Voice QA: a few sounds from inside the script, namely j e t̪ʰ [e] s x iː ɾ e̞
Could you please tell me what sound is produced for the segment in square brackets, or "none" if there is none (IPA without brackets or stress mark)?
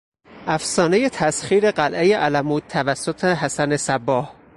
æ